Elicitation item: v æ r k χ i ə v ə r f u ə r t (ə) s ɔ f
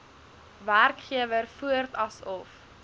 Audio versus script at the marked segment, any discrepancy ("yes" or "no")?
yes